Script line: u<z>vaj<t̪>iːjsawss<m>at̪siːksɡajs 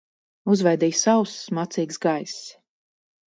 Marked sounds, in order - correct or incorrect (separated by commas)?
correct, incorrect, correct